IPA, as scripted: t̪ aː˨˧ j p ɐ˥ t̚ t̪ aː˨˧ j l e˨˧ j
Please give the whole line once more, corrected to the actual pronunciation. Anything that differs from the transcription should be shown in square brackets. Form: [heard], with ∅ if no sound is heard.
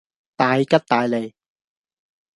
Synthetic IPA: t̪ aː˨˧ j [k] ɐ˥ t̚ t̪ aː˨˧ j l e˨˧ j